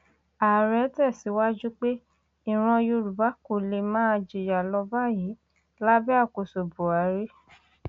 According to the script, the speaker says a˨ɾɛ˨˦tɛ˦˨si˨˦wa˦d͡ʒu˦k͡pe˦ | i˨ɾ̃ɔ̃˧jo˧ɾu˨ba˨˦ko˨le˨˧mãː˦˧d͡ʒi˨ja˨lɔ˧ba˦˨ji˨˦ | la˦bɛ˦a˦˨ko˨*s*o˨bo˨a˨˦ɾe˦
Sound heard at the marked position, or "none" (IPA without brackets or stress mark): s